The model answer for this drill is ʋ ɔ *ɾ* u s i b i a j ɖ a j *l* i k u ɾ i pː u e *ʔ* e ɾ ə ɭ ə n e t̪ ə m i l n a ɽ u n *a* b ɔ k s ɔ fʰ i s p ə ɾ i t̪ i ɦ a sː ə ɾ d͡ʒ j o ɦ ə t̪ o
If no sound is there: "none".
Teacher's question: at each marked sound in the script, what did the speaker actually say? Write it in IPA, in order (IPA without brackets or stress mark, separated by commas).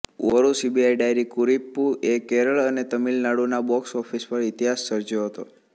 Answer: ɾ, ɾ, k, a